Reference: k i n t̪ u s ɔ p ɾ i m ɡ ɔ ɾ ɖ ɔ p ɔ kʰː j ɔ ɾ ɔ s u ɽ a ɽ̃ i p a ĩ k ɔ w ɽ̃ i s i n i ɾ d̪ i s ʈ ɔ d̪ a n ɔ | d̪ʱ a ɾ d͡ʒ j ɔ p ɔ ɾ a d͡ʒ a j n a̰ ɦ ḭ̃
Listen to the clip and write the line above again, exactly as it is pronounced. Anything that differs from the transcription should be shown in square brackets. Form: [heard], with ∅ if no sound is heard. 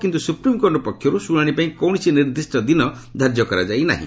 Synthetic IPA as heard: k i n t̪ u s [u] p ɾ i m [k] ɔ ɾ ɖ ɔ p ɔ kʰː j ɔ ɾ [u] s u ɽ a ɽ̃ i p a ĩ k ɔ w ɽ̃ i s i n i ɾ d̪ i s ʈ ɔ d̪ [i] n ɔ | d̪ʱ a ɾ d͡ʒ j ɔ [k] ɔ ɾ a d͡ʒ a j n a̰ ɦ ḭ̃